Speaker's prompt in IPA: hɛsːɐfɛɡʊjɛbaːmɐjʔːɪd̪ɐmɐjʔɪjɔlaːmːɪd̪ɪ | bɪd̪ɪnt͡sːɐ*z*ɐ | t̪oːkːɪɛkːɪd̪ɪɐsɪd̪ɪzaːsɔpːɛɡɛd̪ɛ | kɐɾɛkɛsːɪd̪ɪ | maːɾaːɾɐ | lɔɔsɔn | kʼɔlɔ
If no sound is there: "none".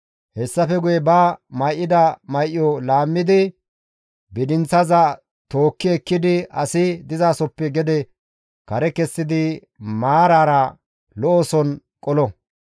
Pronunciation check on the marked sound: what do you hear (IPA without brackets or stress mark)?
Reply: z